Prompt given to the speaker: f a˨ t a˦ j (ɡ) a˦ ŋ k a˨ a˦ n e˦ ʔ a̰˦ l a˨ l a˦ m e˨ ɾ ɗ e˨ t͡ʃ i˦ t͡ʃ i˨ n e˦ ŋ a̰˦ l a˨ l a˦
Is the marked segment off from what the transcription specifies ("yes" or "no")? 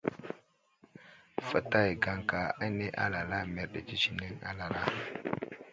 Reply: no